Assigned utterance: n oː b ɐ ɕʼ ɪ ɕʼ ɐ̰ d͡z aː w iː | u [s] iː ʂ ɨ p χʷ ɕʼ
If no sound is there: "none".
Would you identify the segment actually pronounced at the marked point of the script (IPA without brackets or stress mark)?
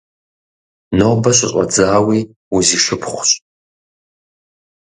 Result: z